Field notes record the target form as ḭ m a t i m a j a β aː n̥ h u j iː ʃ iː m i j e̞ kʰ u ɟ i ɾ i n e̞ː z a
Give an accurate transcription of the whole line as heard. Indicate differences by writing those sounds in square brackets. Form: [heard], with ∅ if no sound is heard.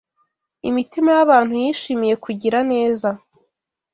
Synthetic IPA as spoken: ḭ m [i] t i m a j a β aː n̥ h u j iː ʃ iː m i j e̞ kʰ u ɟ i ɾ [a] n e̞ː z a